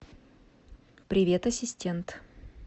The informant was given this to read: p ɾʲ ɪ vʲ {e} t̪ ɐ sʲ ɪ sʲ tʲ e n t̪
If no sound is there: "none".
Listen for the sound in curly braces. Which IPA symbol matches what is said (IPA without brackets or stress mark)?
e